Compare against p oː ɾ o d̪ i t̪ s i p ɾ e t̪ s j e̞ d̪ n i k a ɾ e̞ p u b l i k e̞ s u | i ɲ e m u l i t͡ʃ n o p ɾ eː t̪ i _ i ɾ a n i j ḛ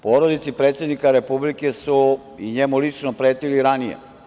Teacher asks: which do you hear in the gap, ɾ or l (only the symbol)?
l